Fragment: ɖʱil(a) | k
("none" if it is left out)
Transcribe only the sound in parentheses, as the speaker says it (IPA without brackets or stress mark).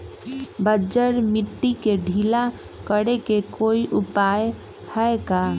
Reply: a